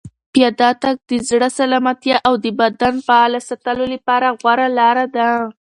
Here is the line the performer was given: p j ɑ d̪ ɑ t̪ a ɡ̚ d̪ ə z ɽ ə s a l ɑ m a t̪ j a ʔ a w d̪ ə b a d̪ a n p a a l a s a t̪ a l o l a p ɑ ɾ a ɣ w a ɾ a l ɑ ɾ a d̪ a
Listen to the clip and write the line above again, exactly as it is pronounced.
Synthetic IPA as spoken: p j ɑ d̪ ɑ t̪ a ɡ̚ d̪ ə z ɽ ə s a l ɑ m a t̪ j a ʔ a w d̪ ə b a d̪ a n p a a l a s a t̪ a l o l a p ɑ ɾ a ɣ w a ɾ a l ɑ ɾ a d̪ a